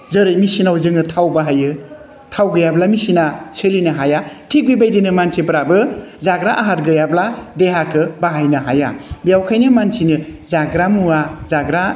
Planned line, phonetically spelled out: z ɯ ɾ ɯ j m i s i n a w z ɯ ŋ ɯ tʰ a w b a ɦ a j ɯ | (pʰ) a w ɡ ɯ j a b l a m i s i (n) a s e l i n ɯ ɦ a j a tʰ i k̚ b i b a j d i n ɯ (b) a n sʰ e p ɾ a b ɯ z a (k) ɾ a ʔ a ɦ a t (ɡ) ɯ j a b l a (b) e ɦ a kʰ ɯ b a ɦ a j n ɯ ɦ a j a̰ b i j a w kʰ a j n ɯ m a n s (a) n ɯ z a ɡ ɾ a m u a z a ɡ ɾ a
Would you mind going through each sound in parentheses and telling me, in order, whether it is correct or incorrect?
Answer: incorrect: tʰ, correct, incorrect: m, incorrect: ɡ, correct, incorrect: d, incorrect: i

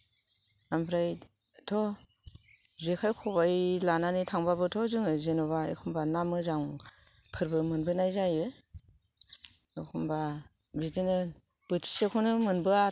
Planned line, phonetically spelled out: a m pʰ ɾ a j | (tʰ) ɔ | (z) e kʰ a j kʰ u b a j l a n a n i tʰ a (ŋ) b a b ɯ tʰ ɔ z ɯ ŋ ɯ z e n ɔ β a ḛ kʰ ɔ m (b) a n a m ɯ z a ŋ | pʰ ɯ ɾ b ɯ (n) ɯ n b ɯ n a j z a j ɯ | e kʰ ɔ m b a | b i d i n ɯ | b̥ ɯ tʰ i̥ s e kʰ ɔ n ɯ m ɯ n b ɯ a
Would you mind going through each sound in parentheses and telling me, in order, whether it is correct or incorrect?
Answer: correct, correct, correct, correct, incorrect: m

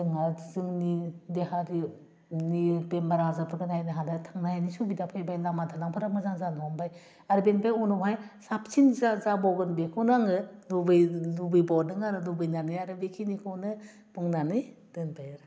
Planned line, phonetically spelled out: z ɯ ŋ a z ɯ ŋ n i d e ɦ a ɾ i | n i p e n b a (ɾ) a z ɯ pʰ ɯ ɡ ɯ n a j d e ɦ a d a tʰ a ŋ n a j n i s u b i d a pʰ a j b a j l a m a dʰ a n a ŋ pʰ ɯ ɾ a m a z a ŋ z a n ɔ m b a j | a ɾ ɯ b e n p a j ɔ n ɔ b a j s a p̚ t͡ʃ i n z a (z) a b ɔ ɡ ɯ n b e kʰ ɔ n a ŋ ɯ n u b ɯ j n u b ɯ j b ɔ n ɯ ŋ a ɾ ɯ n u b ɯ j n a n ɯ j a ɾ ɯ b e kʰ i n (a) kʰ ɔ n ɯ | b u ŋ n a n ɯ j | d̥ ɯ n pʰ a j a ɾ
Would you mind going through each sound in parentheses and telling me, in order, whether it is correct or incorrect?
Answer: correct, correct, incorrect: i

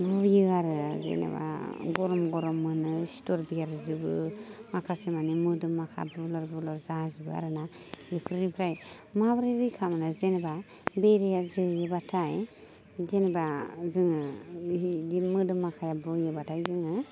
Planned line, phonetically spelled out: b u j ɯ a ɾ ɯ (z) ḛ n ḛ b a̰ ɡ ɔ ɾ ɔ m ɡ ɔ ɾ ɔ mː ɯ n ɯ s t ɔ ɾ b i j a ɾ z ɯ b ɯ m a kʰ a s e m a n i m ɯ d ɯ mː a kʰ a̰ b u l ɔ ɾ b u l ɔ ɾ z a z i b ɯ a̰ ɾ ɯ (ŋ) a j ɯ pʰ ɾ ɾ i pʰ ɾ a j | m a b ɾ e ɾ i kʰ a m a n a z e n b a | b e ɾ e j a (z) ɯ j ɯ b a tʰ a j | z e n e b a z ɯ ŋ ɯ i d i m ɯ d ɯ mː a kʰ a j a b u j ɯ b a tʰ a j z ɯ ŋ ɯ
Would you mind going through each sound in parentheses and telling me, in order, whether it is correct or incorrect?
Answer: correct, incorrect: n, correct

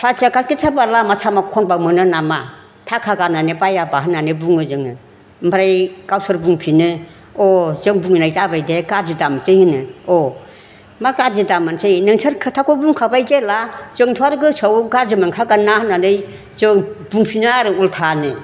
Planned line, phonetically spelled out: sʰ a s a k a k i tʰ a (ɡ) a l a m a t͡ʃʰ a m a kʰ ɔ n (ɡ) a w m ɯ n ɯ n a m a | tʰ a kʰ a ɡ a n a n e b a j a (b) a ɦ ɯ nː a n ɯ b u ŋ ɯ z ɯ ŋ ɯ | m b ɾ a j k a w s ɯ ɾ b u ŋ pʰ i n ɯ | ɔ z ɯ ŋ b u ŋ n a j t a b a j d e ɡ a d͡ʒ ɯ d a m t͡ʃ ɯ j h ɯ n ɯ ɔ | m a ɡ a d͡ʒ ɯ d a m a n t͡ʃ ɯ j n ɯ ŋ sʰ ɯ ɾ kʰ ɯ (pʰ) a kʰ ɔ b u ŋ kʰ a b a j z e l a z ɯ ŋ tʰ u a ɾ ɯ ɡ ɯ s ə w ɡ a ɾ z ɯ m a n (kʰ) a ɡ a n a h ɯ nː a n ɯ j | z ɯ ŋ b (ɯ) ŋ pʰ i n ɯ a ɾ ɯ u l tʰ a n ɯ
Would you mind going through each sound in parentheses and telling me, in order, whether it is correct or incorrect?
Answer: incorrect: b, incorrect: b, correct, incorrect: tʰ, correct, incorrect: u

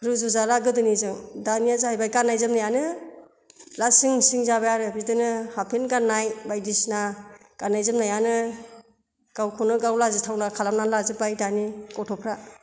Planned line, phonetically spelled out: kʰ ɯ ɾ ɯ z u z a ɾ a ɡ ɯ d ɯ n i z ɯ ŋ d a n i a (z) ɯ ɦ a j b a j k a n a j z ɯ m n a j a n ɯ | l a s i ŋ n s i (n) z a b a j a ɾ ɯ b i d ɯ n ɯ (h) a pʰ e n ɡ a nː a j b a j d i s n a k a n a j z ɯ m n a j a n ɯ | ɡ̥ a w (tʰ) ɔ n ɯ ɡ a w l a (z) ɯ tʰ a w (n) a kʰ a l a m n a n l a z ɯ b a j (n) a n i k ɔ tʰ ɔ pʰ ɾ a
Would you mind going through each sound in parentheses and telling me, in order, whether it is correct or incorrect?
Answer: correct, incorrect: ŋ, correct, incorrect: kʰ, correct, correct, incorrect: d

